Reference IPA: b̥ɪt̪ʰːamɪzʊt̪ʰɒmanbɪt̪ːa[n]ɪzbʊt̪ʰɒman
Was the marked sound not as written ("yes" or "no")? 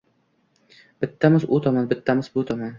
yes